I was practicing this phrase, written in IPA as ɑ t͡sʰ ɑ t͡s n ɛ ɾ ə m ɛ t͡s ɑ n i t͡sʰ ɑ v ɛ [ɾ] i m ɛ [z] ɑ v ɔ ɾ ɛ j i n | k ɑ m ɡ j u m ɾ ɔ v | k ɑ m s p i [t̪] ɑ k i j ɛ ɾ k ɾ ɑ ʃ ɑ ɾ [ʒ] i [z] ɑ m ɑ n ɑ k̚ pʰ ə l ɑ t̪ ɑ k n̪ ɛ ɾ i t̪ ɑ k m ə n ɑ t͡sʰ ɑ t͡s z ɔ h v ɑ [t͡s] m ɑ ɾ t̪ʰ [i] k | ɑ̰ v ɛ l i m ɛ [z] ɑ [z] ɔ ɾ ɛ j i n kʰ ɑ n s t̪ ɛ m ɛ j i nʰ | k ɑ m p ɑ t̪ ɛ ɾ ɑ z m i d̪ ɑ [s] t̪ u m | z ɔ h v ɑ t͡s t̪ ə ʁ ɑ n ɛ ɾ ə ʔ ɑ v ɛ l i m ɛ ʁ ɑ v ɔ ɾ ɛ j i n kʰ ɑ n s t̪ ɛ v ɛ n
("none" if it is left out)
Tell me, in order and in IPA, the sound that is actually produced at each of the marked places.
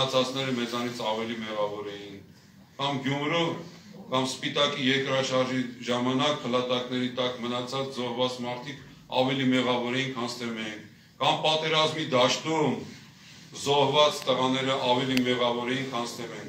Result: l, ʁ, t̪, ʒ, ʒ, t͡s, i, ʁ, v, ʃ

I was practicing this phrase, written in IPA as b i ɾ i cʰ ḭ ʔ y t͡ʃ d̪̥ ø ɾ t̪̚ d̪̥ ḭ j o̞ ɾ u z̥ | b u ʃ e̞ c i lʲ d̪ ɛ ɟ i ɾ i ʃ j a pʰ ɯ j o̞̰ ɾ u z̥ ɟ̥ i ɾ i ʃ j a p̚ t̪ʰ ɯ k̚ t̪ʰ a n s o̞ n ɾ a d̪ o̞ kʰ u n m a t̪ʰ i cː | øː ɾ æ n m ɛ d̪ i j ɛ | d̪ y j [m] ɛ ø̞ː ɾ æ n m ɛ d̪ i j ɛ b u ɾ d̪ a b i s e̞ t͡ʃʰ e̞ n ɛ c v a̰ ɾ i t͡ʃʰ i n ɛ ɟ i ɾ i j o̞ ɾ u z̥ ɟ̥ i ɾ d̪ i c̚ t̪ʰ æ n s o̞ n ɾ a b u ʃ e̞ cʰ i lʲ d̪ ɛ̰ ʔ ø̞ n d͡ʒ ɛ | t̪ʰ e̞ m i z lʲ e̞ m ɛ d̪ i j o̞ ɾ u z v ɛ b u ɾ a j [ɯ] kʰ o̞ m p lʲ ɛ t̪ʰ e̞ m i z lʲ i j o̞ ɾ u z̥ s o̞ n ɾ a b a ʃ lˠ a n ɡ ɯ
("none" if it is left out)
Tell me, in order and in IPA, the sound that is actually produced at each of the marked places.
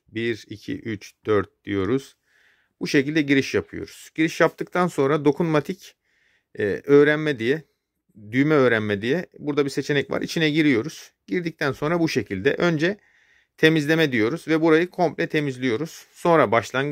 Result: m, ɯ

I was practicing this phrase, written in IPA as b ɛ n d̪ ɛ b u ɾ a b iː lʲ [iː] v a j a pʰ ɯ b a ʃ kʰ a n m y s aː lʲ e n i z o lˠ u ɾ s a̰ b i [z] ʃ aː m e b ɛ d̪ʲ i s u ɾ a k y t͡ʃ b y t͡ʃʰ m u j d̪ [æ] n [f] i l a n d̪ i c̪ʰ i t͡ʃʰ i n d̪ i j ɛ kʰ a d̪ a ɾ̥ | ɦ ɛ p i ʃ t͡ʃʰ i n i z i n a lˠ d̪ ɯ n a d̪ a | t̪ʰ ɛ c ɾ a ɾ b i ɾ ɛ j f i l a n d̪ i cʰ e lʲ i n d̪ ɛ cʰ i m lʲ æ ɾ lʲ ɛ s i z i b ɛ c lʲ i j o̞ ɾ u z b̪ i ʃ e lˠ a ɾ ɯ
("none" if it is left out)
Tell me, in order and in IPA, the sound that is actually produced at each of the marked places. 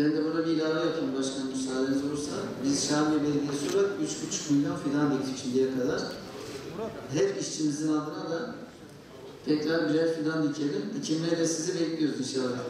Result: aː, z, a, f

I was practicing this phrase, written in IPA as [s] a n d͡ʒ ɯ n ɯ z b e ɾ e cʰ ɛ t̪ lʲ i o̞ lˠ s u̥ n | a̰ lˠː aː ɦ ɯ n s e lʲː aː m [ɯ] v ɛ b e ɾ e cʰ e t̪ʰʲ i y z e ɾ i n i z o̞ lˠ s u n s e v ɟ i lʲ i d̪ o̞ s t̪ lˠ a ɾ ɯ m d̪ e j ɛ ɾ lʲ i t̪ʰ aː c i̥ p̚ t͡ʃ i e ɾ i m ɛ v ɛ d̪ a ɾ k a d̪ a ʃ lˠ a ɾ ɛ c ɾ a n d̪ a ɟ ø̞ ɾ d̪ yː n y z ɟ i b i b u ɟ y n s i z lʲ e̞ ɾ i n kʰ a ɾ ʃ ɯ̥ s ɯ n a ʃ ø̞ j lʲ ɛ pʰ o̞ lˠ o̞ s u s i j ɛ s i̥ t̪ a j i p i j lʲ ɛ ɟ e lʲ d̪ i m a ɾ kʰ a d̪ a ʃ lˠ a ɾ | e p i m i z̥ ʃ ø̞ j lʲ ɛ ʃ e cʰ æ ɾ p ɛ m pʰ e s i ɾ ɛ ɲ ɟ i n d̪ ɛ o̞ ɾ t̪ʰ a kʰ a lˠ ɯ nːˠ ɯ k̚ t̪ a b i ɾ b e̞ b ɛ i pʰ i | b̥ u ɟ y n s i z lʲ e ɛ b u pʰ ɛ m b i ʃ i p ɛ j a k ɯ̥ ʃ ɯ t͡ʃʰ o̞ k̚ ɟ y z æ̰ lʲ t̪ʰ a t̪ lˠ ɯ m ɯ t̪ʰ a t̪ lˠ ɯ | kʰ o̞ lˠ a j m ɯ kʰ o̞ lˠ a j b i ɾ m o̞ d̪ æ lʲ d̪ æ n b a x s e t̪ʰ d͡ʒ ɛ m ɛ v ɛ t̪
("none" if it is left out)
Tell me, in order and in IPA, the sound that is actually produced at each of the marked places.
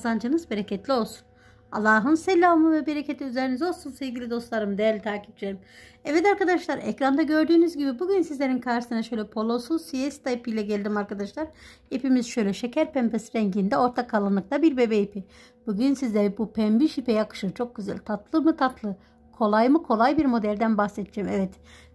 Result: z, ɯ

